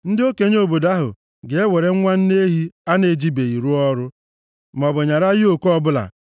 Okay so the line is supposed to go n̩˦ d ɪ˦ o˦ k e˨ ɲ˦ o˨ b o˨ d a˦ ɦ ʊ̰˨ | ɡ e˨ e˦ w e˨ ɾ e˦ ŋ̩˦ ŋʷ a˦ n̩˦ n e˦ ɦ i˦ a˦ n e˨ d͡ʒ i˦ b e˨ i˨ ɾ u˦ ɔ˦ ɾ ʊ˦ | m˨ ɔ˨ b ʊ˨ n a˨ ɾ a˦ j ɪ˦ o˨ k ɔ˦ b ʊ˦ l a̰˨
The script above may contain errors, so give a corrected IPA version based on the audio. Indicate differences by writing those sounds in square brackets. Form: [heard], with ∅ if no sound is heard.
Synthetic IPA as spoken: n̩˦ d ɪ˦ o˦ k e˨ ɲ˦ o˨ b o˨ d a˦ ɦ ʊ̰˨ | ɡ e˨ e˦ w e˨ ɾ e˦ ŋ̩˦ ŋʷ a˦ n̩˦ n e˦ ɦ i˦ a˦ n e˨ d͡ʒ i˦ b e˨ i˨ ɾ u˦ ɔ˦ ɾ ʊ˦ | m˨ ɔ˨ b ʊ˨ [ɲ] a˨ ɾ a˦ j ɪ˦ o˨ k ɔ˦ b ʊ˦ l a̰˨